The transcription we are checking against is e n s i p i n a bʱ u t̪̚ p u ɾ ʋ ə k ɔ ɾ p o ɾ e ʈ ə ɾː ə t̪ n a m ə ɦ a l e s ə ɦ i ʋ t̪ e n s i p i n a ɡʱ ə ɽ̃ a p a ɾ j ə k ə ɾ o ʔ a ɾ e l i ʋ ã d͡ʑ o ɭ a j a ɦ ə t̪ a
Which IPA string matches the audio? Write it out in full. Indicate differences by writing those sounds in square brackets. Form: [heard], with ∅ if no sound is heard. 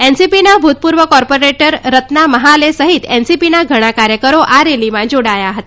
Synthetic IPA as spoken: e n s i p i n a bʱ u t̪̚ p u ɾ ʋ ə k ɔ ɾ p o ɾ e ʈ ə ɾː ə t̪ n a m ə ɦ a l e s ə ɦ i [∅] t̪ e n s i p i n a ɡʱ ə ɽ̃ a [k] a ɾ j ə k ə ɾ o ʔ a ɾ e l i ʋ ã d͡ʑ o [ɽ] a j a ɦ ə t̪ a